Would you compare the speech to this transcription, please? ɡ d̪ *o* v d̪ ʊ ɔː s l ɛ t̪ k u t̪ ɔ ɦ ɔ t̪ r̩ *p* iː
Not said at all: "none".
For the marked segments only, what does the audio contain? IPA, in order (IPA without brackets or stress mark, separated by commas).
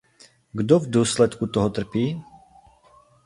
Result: ɔ, p